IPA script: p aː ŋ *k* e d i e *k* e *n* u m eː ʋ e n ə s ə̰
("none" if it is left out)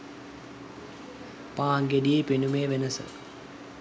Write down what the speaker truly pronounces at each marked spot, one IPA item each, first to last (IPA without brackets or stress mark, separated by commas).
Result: ɡ, p, n